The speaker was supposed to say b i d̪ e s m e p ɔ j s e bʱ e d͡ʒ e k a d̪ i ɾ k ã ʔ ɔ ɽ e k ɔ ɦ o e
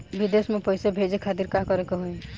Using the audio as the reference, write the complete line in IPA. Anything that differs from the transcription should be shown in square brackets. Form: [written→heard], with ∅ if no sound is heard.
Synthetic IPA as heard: b i d̪ e s m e p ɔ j s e bʱ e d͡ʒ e [k→kʰ] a [d̪→t̪] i ɾ k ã [ʔ→k] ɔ [ɽ→ɾ] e k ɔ ɦ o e

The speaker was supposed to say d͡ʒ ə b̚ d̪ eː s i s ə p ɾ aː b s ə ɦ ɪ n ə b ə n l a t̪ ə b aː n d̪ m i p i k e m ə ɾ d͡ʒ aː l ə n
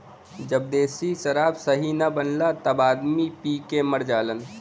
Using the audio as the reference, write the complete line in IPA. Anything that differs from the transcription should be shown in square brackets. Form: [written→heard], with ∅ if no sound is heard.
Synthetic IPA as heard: d͡ʒ ə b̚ d̪ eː s i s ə [p→∅] ɾ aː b s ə ɦ [ɪ→i] n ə b ə n l a t̪ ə b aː [n→∅] d̪ m i p i k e m ə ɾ d͡ʒ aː l ə n

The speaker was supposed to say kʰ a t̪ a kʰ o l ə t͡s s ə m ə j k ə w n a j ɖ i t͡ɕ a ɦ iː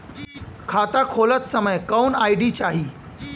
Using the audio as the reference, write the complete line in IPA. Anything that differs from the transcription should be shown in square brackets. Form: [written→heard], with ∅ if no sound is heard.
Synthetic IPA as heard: kʰ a t̪ a kʰ o l ə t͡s s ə m ə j k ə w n a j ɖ i t͡ɕ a ɦ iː

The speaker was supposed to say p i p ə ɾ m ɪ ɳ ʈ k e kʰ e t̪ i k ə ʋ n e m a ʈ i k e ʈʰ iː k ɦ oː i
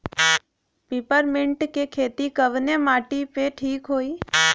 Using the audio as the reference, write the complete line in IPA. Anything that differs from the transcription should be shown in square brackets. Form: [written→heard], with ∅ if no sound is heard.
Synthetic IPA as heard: p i p ə ɾ m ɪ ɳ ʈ k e kʰ e t̪ i k ə ʋ n e m a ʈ i [k→p] e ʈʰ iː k ɦ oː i

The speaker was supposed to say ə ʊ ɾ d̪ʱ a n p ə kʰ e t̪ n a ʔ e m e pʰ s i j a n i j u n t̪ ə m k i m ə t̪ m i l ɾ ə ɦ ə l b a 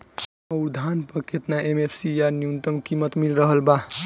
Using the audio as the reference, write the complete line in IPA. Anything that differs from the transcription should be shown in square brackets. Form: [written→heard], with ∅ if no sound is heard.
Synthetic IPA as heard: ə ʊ ɾ d̪ʱ a n p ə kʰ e t̪ n a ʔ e m e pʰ s i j a n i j u n t̪ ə m k i m ə t̪ m i l ɾ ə ɦ ə l b a

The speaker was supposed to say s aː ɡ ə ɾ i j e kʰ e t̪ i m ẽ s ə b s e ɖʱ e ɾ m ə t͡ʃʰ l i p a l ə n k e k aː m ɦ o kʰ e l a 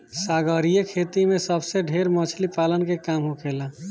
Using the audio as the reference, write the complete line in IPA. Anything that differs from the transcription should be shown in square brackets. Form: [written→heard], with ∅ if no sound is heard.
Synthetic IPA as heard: s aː ɡ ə ɾ i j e kʰ e t̪ i m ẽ s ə b s e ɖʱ e ɾ m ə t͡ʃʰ l i p a l ə n k e k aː m ɦ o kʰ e l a

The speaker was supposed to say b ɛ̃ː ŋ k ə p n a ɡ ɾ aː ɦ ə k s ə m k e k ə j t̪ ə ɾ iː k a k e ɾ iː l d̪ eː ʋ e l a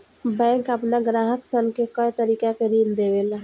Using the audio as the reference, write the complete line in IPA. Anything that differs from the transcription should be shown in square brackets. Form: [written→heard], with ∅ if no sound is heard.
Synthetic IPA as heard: b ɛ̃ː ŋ k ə p n a ɡ ɾ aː ɦ ə k s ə [m→n] k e k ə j t̪ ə ɾ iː k a k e ɾ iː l d̪ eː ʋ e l a

